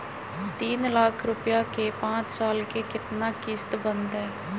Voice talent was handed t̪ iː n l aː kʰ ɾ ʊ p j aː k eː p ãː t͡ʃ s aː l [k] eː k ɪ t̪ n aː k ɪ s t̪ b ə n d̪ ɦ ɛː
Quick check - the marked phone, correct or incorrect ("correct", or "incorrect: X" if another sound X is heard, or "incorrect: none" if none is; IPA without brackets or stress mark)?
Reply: correct